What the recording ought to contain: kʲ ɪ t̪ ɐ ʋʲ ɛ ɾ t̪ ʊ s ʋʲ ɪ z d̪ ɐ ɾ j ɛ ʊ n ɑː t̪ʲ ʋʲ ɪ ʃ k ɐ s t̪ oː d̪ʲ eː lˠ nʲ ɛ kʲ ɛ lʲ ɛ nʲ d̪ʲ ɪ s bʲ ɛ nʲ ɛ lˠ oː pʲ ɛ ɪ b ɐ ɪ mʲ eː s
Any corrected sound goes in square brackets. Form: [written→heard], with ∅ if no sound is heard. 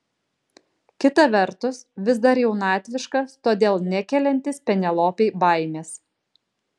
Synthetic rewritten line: kʲ ɪ t̪ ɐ ʋʲ ɛ ɾ t̪ ʊ s ʋʲ ɪ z d̪ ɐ ɾ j ɛ ʊ n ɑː t̪ʲ ʋʲ ɪ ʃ k ɐ s t̪ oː d̪ʲ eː lˠ nʲ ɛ kʲ ɛ lʲ ɛ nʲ [d̪ʲ→t̪ʲ] ɪ s [bʲ→pʲ] ɛ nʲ ɛ lˠ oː pʲ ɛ ɪ b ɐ ɪ mʲ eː s